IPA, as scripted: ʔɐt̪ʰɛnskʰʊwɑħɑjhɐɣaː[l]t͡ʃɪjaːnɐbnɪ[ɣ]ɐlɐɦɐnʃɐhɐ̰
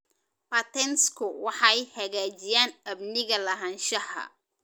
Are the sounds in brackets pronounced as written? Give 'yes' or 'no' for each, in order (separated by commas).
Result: no, yes